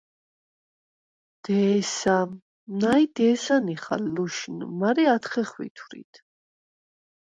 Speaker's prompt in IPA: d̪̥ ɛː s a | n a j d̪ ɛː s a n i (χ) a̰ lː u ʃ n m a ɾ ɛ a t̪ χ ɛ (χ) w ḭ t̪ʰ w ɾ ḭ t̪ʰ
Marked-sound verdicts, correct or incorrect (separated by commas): correct, correct